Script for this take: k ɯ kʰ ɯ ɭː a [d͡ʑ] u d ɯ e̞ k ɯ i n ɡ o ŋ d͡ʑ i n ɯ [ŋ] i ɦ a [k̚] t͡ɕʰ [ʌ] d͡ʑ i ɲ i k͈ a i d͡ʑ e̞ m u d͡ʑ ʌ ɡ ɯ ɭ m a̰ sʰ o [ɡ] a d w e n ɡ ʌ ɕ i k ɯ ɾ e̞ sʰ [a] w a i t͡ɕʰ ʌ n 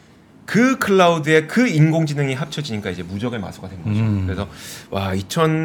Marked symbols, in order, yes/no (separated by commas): no, yes, no, yes, yes, no